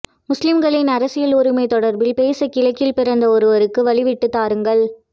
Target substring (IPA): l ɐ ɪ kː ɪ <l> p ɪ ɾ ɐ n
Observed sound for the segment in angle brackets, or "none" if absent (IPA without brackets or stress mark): l